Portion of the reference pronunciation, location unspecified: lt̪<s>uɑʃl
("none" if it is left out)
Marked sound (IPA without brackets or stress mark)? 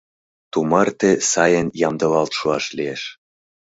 ʃ